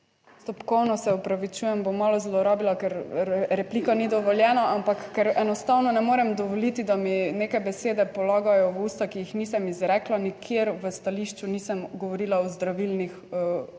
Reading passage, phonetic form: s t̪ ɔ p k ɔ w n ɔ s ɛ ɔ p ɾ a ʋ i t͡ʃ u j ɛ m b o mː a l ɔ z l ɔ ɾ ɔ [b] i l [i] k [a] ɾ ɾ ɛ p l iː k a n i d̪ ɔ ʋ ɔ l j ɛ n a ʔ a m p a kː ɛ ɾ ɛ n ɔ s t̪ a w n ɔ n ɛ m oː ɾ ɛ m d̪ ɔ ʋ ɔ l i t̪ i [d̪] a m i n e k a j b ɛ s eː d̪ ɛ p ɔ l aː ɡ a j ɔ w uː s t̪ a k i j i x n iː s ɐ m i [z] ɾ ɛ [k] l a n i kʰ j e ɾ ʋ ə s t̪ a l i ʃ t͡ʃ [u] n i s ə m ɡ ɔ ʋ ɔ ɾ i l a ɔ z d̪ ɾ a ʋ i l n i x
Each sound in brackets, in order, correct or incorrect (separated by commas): correct, incorrect, incorrect, correct, correct, correct, correct